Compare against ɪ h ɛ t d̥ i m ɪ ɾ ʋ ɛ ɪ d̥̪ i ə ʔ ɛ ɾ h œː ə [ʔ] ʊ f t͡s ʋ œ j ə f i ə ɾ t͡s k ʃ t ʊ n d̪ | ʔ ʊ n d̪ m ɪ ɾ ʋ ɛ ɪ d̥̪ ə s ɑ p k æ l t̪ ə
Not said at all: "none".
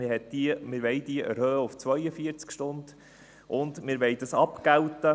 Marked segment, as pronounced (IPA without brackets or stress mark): none